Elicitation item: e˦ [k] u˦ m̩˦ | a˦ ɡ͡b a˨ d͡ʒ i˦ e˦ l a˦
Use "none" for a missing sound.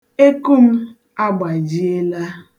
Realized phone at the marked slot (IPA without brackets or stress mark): k